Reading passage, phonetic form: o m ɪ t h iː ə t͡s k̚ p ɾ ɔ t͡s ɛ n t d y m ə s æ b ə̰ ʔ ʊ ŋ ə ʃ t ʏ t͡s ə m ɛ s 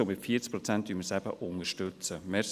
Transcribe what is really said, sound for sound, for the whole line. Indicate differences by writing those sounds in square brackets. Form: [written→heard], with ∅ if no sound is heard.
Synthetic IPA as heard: o m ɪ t [h→f] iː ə t͡s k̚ p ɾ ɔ t͡s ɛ n t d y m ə s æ b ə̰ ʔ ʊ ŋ ə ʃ t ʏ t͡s ə m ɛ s

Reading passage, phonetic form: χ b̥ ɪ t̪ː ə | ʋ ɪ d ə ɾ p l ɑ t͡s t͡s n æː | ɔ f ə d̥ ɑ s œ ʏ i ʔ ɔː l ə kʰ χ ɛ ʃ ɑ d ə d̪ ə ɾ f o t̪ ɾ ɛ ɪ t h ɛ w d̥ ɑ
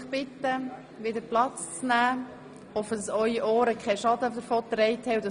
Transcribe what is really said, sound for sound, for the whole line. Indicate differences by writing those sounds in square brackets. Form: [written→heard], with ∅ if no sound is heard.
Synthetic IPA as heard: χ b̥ ɪ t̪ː ə | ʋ ɪ d ə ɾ p l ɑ t͡s t͡s n æː | ɔ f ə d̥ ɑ s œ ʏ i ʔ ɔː [l→ɾ] ə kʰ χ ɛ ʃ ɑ d ə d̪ ə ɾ f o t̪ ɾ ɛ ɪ t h ɛ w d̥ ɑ

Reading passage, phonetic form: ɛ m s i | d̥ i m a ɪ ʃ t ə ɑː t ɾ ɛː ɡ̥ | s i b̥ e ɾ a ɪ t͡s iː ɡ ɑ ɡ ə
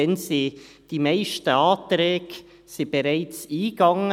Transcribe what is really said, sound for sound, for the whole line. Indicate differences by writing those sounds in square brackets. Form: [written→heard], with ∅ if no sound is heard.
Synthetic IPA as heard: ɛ [m→n] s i | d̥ i m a ɪ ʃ t ə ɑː t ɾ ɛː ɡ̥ | s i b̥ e ɾ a ɪ t͡s iː ɡ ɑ [ɡ→ŋ] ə

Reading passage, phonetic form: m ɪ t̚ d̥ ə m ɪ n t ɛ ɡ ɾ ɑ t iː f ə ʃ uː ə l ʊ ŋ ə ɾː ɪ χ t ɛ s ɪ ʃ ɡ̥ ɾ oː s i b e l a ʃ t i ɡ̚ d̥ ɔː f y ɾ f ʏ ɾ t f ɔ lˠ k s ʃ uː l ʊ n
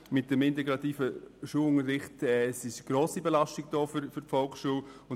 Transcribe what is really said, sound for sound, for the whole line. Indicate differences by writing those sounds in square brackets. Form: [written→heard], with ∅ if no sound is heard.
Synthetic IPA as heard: m ɪ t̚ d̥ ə m ɪ n t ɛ ɡ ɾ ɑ t iː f ə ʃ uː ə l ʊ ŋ ə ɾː ɪ χ t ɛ s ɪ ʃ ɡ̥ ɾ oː s i b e l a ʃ t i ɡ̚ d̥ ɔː f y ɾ f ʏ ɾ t f ɔ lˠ k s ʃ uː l ʊ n

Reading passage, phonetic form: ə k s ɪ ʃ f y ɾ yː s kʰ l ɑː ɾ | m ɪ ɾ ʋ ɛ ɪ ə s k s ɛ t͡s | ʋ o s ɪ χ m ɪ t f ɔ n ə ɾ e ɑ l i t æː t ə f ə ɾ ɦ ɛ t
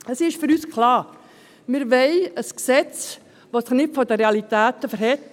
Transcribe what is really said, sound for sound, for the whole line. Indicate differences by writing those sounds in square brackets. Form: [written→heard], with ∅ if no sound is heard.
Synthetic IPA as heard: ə [k→∅] s ɪ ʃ f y ɾ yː s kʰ l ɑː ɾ | m ɪ ɾ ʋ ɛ ɪ ə s k s ɛ t͡s | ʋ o s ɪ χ [m→n] ɪ t f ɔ [n→d] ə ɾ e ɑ l i t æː t ə f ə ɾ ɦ ɛ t

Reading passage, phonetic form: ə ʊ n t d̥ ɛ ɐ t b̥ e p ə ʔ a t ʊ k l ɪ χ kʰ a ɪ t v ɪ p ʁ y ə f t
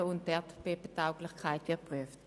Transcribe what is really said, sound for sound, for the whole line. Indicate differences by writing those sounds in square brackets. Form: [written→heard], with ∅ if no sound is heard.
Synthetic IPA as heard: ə ʊ n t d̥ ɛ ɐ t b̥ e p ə [ʔ→t] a [t→∅] ʊ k l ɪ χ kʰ a ɪ t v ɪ p ʁ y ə f t

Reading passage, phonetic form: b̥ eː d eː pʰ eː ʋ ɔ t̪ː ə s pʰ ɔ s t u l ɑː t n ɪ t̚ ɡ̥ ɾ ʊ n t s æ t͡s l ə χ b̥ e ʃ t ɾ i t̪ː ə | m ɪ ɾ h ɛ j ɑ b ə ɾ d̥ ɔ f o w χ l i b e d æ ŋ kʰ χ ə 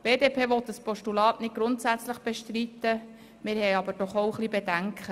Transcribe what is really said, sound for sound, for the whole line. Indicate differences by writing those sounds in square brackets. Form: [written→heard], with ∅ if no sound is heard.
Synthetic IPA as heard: b̥ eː d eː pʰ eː ʋ ɔ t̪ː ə s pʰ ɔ [s→ʃ] t u l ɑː t n ɪ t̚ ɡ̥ ɾ ʊ n t s æ t͡s l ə χ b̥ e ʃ t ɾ i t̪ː ə | m ɪ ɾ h ɛ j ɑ b ə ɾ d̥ ɔ [f→χ] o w χ l i b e d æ ŋ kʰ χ ə

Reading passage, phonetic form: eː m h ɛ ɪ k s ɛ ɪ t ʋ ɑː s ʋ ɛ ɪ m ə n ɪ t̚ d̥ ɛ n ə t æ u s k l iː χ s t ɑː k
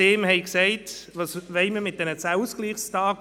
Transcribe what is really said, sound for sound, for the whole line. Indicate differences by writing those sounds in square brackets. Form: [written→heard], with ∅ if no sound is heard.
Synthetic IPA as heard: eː m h ɛ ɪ k s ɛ ɪ t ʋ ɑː s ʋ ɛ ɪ m ə [n→m] ɪ t̚ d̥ ɛ n ə [t→t͡s] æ u s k l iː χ s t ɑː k

